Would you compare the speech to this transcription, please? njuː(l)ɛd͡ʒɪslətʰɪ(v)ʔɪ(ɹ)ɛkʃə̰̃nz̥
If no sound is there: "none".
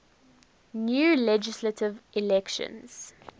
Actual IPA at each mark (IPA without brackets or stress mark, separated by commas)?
l, v, l